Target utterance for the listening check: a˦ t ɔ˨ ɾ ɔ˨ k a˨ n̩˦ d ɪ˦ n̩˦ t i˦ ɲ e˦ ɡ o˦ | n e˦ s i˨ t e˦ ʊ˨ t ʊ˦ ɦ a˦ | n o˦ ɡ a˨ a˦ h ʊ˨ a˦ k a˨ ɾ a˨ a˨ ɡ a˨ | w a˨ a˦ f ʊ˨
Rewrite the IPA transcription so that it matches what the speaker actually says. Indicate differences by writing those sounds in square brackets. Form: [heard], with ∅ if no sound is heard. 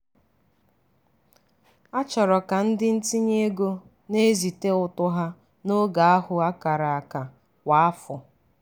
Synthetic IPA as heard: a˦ [t͡ʃ] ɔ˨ ɾ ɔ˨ k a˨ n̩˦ d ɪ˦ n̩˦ t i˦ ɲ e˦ ɡ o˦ | n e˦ [z] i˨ t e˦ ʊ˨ t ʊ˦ ɦ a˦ | n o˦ ɡ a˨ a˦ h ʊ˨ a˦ k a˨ ɾ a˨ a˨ [k] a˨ | w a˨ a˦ f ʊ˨